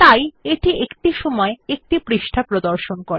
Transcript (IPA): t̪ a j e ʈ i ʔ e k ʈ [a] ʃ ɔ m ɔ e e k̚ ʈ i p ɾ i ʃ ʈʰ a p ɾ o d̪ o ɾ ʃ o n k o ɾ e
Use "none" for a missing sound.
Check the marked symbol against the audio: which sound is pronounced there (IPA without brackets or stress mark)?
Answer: i